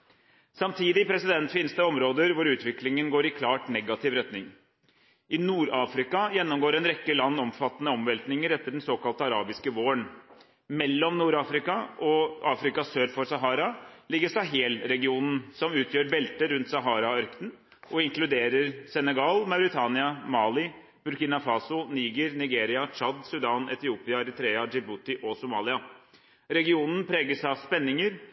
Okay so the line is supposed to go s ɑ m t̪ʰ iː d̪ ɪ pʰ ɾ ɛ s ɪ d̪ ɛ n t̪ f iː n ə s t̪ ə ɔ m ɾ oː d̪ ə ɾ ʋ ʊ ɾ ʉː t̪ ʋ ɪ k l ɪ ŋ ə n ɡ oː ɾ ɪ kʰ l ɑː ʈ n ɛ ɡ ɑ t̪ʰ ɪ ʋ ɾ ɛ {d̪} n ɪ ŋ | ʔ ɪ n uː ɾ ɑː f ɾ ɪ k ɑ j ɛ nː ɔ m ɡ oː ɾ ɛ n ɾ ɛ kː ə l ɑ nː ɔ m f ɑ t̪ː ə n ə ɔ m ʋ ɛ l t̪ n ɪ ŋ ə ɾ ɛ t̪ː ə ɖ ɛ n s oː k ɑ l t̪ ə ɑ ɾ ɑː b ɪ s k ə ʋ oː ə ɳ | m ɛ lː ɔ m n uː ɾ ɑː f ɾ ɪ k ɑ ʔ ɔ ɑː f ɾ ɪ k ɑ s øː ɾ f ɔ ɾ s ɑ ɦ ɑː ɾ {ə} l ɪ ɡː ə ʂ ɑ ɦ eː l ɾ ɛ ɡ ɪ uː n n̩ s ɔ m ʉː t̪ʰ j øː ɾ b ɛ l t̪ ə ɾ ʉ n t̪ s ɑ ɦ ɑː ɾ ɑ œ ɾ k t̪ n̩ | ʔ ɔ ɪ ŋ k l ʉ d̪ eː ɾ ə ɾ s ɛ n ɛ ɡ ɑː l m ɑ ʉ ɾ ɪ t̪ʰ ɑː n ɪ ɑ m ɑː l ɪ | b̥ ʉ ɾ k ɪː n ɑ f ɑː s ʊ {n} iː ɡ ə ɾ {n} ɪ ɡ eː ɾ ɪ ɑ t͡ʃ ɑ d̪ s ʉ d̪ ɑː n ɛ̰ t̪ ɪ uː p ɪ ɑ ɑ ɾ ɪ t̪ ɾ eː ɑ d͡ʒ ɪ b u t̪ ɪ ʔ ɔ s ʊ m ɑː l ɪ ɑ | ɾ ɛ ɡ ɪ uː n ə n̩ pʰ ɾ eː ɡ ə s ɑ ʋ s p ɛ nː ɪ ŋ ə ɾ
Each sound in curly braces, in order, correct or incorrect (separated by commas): incorrect, incorrect, correct, correct